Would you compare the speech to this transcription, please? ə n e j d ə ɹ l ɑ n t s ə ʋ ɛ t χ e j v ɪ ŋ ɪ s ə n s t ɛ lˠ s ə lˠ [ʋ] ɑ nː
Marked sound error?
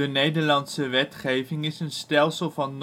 yes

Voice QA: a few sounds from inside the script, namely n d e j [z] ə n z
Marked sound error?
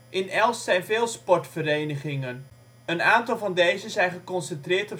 no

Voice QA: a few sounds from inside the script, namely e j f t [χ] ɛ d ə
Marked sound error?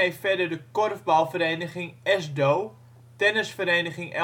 yes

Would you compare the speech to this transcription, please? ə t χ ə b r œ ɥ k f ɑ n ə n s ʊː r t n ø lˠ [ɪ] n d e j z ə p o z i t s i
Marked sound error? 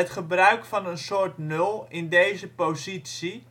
no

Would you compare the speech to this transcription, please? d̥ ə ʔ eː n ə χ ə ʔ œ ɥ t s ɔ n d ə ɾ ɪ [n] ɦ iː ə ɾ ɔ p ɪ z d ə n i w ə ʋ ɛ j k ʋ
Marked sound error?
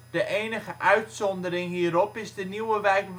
yes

